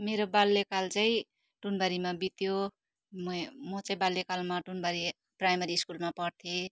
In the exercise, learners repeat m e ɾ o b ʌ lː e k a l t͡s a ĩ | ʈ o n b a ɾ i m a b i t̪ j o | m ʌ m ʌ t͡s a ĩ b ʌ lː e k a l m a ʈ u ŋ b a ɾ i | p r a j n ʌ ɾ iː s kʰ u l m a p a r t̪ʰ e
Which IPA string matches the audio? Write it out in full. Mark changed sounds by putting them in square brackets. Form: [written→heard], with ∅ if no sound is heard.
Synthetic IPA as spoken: m e ɾ o b [ʌ→a] lː e k a l t͡s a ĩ | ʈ [o→u] n b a ɾ i m a b i t̪ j o | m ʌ m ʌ t͡s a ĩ b [ʌ→a] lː e k a l m a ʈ u [ŋ→n] b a ɾ i | p r a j [n→m] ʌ ɾ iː s [kʰ→k] u l m a p [a→ʌ] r t̪ʰ e